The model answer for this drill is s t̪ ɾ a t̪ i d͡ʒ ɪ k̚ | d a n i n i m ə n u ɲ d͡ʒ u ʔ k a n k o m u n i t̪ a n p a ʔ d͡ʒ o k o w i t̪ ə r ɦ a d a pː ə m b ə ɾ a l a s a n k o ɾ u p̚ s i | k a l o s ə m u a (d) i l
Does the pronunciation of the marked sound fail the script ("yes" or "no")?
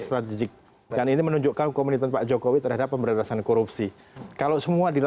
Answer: no